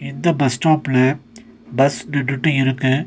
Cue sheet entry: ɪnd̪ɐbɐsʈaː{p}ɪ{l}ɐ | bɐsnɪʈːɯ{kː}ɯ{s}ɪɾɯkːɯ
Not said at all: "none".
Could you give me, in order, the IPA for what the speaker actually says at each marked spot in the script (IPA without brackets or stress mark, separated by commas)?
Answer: p, l, ʈː, none